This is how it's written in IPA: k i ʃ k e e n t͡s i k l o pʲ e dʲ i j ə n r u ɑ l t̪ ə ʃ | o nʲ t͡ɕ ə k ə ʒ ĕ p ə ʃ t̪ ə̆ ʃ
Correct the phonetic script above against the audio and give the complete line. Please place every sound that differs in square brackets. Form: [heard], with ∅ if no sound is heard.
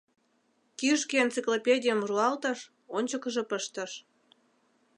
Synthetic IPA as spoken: k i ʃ k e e n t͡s i k l o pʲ e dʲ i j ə [m] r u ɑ l t̪ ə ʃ | o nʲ t͡ɕ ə k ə ʒ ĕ p ə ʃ t̪ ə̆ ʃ